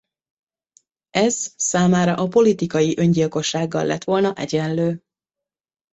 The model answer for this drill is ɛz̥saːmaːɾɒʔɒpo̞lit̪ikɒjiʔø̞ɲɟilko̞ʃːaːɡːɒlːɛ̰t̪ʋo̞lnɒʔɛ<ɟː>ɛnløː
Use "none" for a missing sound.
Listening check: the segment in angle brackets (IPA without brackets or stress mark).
ɟ